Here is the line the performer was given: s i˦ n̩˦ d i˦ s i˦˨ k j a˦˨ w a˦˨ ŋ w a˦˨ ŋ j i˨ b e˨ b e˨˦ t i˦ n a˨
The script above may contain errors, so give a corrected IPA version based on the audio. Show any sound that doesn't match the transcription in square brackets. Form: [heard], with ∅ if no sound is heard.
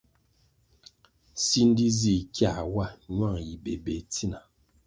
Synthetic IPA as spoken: s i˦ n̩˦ d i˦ [z] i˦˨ k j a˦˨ w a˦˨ [ɲ] w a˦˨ ŋ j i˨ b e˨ b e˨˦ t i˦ n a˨